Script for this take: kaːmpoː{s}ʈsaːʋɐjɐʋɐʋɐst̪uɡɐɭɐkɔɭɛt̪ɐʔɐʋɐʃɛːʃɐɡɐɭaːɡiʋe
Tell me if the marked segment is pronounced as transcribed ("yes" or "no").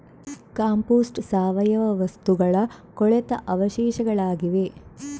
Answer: yes